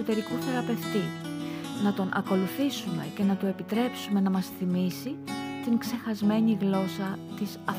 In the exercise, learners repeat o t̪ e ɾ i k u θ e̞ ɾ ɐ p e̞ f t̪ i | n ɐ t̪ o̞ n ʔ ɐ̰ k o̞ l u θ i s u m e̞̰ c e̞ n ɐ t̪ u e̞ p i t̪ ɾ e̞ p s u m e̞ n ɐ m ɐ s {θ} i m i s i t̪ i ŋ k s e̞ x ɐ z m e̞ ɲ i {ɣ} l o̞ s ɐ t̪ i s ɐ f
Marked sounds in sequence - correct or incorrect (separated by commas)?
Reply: correct, correct